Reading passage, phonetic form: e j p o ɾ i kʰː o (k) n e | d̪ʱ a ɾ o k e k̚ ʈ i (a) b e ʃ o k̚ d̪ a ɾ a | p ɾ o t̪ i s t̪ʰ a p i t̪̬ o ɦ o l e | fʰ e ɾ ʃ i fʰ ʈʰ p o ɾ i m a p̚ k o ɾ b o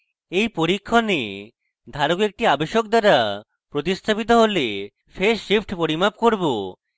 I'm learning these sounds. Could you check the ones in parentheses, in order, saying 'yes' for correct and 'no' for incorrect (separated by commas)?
no, yes